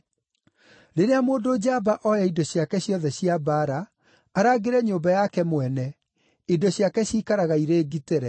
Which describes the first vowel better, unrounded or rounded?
unrounded